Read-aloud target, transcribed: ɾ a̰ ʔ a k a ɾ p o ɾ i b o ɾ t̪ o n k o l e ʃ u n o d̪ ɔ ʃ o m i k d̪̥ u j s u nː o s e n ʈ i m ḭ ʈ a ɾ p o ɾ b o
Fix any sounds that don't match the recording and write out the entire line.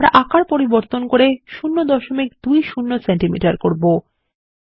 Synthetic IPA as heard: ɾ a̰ ʔ a k a ɾ p o ɾ i b o ɾ t̪ o n k o ɾ e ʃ u nː o d̪ ɔ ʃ o m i k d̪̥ u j ʃ u nː o s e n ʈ i m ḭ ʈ a ɾ k o ɾ b o